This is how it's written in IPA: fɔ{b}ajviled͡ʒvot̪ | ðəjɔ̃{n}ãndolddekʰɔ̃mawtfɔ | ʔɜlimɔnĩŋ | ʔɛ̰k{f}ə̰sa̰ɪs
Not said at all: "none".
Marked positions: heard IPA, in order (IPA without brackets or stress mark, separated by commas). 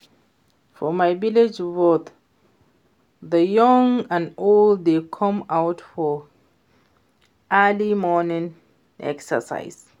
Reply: m, ŋ, s